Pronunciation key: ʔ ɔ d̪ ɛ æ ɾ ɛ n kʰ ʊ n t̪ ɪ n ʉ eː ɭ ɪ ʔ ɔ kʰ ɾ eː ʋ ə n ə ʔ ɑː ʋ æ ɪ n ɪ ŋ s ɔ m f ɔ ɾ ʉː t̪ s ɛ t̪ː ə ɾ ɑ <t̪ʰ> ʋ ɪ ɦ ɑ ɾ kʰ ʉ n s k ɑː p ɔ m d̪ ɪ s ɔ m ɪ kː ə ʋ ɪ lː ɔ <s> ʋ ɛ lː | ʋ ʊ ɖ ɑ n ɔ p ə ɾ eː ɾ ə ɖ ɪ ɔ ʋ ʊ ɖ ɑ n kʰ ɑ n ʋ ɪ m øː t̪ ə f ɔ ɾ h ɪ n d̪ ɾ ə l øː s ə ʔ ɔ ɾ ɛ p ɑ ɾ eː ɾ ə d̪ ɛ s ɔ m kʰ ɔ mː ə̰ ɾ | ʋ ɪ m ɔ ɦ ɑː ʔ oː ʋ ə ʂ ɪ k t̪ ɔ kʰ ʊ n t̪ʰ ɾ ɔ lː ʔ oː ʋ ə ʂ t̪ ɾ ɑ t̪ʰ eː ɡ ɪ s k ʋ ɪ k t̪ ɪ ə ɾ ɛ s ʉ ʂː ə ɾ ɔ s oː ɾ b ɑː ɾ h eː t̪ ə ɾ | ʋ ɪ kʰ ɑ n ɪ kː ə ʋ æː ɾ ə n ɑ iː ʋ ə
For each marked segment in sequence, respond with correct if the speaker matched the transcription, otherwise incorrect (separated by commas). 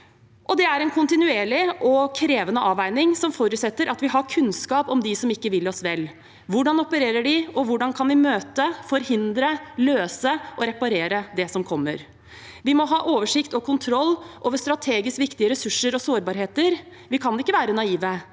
incorrect, correct